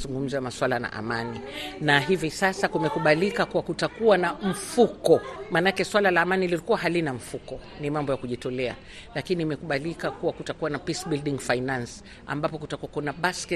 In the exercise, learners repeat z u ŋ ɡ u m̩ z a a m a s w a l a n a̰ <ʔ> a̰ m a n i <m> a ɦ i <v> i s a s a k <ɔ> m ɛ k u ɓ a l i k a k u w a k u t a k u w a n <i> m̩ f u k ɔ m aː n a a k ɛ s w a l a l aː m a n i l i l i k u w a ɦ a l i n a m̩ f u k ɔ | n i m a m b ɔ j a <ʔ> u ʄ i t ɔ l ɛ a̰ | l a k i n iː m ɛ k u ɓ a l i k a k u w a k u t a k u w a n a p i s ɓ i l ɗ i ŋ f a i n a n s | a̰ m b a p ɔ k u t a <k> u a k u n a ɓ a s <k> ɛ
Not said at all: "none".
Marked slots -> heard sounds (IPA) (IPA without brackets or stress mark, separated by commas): ʔ, n, v, u, a, k, k, k